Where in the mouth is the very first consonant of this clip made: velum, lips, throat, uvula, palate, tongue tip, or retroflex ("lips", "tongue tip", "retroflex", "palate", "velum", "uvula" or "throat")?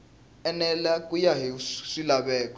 tongue tip